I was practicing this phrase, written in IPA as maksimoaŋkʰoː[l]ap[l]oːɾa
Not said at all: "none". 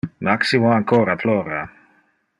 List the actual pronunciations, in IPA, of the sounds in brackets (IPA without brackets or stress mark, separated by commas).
ɾ, l